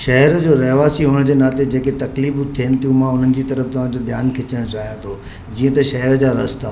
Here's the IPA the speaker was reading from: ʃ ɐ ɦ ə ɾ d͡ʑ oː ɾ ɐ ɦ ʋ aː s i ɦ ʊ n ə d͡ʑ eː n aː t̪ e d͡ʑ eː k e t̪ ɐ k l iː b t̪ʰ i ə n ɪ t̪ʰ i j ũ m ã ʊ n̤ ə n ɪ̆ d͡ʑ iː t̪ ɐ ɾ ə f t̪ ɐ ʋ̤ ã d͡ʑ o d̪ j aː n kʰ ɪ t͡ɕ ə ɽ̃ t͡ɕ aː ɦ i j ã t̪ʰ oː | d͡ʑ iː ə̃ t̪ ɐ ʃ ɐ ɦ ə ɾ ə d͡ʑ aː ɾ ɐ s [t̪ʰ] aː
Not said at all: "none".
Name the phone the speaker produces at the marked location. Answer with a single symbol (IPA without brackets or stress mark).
t̪